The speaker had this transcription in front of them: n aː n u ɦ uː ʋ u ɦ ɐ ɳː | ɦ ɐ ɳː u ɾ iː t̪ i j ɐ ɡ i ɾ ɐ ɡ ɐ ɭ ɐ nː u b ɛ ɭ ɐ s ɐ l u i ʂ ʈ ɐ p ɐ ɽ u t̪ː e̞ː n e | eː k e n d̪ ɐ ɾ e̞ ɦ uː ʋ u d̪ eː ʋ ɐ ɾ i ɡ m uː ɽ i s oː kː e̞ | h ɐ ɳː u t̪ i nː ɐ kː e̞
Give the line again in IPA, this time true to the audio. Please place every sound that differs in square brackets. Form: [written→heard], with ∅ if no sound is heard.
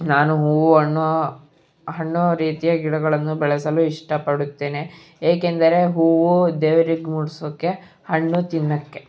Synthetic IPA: n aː n u ɦ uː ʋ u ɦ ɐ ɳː | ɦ ɐ ɳː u ɾ iː t̪ i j ɐ ɡ i [ɾ→ɽ] ɐ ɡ ɐ ɭ ɐ nː u b ɛ ɭ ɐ s ɐ l u i ʂ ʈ ɐ p ɐ ɽ u t̪ː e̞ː n e | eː k e n d̪ ɐ ɾ e̞ ɦ uː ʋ u d̪ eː ʋ ɐ ɾ i ɡ m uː ɽ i s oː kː e̞ | h ɐ ɳː u t̪ i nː ɐ kː e̞